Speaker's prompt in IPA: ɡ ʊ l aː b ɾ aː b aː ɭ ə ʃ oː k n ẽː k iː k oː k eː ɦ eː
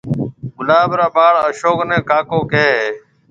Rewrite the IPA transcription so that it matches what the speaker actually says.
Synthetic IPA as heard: ɡ ʊ l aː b ɾ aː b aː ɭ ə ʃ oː k n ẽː k aː k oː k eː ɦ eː